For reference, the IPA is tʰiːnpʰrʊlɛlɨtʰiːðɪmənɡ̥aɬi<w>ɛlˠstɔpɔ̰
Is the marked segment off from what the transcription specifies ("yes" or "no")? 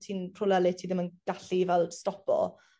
yes